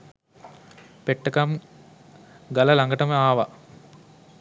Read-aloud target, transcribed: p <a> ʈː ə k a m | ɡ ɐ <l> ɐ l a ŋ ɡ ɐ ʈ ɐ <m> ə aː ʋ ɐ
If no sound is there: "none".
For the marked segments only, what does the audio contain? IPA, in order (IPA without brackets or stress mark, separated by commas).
e, l, m